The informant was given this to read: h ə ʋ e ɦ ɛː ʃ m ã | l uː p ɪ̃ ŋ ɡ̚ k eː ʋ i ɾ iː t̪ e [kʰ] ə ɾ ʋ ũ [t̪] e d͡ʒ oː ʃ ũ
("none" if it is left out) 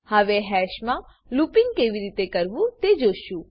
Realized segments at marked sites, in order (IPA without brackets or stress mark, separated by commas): k, t̪